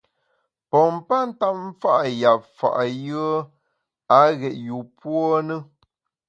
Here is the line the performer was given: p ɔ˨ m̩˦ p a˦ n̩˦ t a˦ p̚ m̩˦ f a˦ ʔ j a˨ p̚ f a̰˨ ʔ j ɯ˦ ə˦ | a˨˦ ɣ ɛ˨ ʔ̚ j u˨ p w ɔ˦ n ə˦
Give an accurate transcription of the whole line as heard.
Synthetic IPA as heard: p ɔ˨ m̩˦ p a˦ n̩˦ t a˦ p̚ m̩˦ f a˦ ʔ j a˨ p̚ f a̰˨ ʔ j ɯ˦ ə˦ | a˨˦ ɣ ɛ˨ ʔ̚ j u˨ p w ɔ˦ n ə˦